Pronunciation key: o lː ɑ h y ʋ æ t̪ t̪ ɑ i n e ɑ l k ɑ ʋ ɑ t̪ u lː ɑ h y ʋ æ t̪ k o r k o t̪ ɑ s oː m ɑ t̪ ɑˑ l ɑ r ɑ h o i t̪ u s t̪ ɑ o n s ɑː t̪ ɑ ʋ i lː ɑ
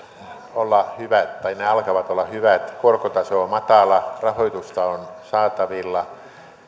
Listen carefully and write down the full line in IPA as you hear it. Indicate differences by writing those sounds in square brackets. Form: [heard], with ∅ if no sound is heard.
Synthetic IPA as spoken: o lː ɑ h y ʋ æ t̪ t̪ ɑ i n e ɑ l k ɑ ʋ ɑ t̪ [o] lː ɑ h y ʋ æ t̪ k o r k o t̪ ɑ s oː m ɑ t̪ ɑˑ l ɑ r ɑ h o i t̪ u s t̪ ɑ o n s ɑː t̪ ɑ ʋ i lː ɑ